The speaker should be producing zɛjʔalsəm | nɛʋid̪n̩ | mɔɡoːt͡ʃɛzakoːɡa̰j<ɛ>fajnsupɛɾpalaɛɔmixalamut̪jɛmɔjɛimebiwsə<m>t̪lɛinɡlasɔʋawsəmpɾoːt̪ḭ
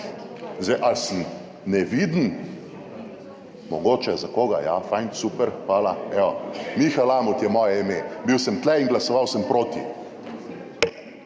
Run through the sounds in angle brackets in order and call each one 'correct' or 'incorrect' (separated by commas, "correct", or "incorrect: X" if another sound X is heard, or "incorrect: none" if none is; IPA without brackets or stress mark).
incorrect: a, correct